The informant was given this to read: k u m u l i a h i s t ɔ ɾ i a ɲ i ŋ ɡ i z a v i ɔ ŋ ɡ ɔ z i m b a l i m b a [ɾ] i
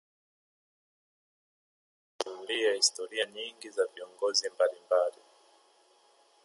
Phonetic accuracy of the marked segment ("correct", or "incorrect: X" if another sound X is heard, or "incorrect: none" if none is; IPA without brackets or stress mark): incorrect: l